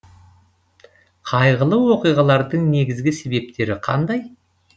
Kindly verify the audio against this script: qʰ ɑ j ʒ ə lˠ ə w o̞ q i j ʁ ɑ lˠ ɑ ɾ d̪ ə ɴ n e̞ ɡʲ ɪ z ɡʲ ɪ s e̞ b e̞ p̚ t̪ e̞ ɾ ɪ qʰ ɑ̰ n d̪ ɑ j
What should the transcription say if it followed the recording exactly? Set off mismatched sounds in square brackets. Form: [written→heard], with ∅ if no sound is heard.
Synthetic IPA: qʰ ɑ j [ʒ→ʁ] ə lˠ ə w o̞ q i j ʁ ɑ lˠ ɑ ɾ d̪ ə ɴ n e̞ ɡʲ ɪ z ɡʲ ɪ s e̞ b e̞ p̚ t̪ e̞ ɾ ɪ qʰ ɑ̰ n d̪ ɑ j